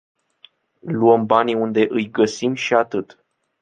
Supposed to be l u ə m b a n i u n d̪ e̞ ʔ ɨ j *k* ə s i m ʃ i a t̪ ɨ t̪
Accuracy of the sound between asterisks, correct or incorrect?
incorrect: ɡ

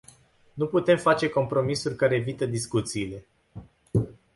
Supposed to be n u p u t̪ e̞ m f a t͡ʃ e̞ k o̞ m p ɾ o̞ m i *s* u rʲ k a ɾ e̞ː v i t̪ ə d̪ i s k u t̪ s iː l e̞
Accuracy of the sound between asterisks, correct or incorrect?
correct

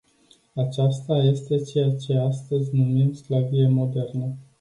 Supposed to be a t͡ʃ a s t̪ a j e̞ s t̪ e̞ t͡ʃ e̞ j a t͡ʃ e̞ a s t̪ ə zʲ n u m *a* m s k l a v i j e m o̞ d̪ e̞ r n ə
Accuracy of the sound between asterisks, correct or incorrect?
incorrect: i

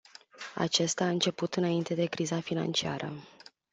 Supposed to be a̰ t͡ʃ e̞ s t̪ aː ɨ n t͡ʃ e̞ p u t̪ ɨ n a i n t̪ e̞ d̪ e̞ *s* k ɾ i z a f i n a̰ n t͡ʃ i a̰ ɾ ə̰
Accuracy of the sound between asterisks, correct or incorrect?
incorrect: none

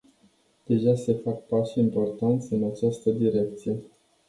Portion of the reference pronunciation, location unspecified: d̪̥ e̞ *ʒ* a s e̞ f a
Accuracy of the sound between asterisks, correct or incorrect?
correct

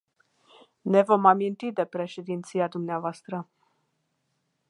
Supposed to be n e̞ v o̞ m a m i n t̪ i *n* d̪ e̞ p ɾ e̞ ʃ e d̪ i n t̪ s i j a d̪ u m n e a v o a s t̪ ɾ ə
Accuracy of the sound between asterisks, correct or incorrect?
incorrect: none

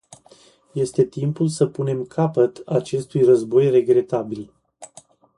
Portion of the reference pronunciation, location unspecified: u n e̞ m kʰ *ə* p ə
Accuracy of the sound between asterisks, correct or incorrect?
incorrect: a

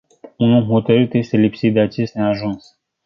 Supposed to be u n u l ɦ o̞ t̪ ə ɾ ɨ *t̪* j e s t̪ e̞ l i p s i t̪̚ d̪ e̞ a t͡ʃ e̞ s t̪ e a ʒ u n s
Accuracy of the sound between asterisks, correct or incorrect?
correct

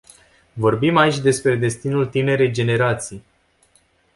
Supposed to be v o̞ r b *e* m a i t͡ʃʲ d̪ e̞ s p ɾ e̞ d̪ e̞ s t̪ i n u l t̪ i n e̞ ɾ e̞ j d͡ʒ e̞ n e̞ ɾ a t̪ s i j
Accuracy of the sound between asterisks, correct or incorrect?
incorrect: i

